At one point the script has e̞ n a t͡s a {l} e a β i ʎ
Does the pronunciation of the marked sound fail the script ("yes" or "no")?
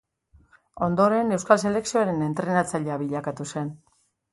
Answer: yes